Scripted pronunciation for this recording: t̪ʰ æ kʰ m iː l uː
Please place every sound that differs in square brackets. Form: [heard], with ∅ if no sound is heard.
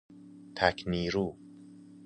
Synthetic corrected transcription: t̪ʰ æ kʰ [n] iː [ɾ] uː

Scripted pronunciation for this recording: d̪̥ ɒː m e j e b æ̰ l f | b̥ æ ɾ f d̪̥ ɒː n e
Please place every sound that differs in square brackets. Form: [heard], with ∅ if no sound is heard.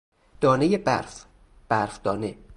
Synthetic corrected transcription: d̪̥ ɒː [n] e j e b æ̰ [ɾ] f | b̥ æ ɾ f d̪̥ ɒː n e

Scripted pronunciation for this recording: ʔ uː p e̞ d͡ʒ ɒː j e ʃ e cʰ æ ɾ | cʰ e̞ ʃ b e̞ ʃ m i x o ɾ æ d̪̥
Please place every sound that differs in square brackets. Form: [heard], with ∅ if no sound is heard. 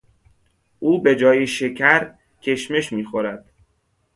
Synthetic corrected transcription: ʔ uː [b] e̞ d͡ʒ ɒː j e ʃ e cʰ æ ɾ | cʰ e̞ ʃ [m] e̞ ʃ m [iː] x o ɾ æ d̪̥

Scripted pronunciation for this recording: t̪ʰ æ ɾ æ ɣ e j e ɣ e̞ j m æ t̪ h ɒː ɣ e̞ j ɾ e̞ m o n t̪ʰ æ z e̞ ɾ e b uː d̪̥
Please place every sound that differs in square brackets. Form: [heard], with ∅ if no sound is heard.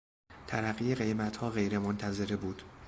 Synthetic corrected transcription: t̪ʰ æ ɾ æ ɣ [i] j e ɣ e̞ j m æ t̪ h ɒː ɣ e̞ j ɾ e̞ m o n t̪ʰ æ z e̞ ɾ e b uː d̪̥

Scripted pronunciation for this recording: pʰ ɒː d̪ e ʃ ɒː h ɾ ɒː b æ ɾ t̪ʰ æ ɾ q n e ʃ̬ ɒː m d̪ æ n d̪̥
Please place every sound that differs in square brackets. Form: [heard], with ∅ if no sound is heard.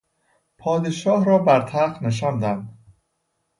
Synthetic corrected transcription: pʰ ɒː d̪ e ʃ ɒː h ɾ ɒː b æ ɾ t̪ʰ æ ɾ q n e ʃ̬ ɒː [n] d̪ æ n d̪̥

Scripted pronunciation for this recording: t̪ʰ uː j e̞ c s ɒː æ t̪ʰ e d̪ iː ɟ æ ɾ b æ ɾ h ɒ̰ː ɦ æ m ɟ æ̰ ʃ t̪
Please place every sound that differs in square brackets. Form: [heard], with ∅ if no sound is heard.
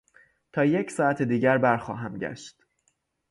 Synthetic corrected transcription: t̪ʰ [ɒː] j e̞ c s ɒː æ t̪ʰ e d̪ iː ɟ æ ɾ b æ ɾ [x] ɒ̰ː ɦ æ m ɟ æ̰ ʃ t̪

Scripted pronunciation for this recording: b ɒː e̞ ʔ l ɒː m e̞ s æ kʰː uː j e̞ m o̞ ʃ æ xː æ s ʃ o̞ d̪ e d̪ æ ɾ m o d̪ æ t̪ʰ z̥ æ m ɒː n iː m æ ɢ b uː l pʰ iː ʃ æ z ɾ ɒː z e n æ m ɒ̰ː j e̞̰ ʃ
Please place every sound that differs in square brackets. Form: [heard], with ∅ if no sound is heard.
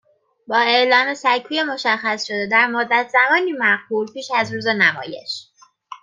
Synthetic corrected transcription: b ɒː e̞ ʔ l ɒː m e̞ s æ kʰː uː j e̞ m o̞ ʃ æ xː æ s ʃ o̞ d̪ e d̪ æ ɾ m o [d̪ː] æ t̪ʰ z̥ æ m ɒː n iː m æ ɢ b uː l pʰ iː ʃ æ z ɾ [uː] z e n æ m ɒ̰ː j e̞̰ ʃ

